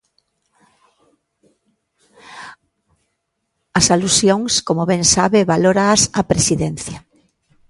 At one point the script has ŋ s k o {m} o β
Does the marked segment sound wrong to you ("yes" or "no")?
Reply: no